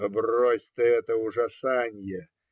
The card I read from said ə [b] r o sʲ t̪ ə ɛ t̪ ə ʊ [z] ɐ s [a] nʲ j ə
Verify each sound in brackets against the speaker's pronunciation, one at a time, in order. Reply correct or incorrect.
correct, incorrect, correct

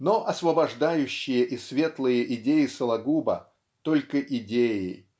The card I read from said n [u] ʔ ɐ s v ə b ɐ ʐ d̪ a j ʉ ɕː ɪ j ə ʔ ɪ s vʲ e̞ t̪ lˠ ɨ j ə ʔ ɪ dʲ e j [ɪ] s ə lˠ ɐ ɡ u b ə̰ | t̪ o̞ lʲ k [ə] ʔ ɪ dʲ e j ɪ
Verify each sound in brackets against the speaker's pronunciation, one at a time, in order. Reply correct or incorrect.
incorrect, correct, correct

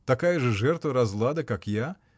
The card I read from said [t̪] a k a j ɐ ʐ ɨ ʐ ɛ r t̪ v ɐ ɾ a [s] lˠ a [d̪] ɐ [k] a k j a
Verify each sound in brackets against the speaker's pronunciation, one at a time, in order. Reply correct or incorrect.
correct, incorrect, correct, correct

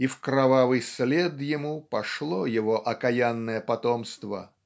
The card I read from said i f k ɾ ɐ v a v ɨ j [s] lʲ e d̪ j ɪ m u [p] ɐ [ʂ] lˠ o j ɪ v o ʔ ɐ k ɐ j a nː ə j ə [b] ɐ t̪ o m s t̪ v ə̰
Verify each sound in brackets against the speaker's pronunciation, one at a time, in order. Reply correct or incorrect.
correct, correct, correct, incorrect

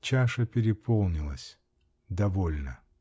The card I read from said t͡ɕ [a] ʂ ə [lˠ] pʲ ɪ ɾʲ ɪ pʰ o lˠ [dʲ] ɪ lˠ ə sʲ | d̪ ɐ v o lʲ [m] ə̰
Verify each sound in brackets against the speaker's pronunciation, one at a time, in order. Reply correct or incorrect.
correct, incorrect, incorrect, incorrect

